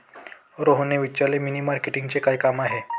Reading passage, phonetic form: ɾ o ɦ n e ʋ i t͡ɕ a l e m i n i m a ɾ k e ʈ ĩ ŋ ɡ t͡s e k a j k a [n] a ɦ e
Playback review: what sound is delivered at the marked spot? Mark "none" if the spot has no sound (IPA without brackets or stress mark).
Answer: m